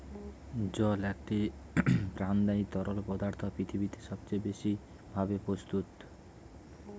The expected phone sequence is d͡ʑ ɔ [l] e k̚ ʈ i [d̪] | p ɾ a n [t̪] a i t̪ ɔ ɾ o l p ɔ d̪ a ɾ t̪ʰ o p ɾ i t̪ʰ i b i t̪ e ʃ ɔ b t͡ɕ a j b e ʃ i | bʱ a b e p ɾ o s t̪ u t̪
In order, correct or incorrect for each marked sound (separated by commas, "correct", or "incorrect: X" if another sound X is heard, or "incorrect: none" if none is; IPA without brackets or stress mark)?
correct, incorrect: none, incorrect: d̪